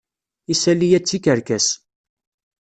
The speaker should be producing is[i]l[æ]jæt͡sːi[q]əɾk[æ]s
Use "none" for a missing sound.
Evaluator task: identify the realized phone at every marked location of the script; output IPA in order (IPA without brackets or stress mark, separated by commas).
æ, i, k, æ